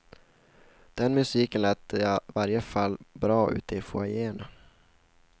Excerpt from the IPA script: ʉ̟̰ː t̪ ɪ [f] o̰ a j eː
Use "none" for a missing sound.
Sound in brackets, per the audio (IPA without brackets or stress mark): f